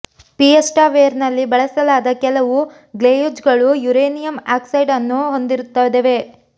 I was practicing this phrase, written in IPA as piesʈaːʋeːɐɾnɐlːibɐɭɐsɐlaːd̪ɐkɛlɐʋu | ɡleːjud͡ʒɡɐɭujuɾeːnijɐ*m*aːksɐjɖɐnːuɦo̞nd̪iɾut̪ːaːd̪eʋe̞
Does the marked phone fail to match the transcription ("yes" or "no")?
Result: no